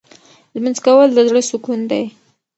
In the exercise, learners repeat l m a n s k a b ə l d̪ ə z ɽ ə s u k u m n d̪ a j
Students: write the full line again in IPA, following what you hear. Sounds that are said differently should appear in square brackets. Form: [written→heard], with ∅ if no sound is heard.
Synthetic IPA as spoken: l m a n [s→z] k a [b→w] ə l d̪ ə z ɽ ə s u k u [m→∅] n d̪ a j